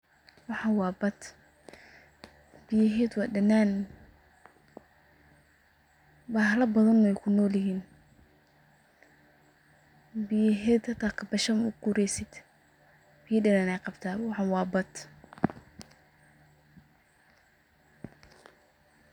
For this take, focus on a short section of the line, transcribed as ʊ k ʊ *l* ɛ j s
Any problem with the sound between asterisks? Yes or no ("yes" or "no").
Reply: yes